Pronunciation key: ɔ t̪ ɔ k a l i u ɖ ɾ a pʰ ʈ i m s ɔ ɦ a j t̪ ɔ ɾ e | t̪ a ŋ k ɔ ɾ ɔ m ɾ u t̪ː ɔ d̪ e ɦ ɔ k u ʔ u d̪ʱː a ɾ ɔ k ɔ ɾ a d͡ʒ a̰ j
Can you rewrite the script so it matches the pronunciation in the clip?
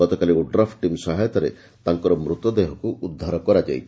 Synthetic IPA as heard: ɔ t̪ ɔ k a l i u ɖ ɾ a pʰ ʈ i m s ɔ ɦ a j t̪ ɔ ɾ e | t̪ a ŋ k ɔ ɾ ɔ m ɾ u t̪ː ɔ d̪ e ɦ ɔ k u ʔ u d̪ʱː a ɾ ɔ k ɔ ɾ a d͡ʒ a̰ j